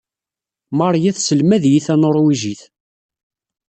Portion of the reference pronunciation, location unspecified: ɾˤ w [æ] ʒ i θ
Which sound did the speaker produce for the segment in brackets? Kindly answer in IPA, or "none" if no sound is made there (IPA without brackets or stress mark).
i